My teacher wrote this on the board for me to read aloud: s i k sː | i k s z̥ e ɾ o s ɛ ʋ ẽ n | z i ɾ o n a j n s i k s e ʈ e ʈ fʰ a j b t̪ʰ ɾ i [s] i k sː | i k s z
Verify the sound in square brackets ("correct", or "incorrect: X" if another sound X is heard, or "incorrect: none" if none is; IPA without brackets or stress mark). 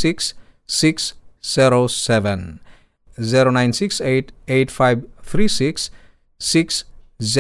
correct